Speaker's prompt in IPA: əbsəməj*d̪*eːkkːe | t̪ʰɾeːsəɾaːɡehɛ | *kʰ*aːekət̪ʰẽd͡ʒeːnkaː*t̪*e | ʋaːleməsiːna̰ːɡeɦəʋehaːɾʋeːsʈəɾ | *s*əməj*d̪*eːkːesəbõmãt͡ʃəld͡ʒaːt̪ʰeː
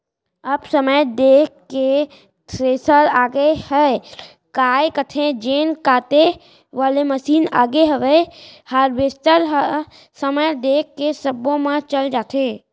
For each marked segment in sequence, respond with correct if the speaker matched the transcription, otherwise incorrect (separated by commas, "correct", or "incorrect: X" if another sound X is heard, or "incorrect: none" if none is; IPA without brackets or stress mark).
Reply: correct, incorrect: k, correct, correct, correct